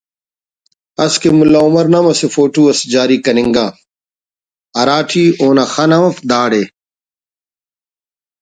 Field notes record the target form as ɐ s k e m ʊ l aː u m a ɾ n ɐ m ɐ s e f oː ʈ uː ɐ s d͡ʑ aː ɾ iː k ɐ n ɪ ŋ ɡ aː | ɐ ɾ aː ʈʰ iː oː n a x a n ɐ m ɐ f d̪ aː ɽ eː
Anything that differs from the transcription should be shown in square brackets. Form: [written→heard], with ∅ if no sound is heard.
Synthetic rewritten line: ɐ s k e m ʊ l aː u m [a→ɐ] ɾ n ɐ m ɐ s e f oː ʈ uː ɐ s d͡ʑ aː ɾ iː k ɐ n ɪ ŋ ɡ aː | ɐ ɾ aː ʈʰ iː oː n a x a n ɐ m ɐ f d̪ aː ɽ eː

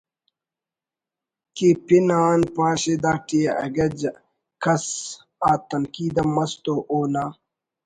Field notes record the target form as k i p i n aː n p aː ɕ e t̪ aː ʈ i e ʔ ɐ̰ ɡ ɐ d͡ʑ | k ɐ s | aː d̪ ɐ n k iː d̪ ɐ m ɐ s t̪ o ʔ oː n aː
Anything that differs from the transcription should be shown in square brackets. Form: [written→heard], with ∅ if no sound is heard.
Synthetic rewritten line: k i p i n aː n p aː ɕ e [t̪→d̪] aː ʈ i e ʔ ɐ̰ ɡ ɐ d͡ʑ | k ɐ s | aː [d̪→t̪] ɐ n k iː d̪ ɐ m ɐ s t̪ o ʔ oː n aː

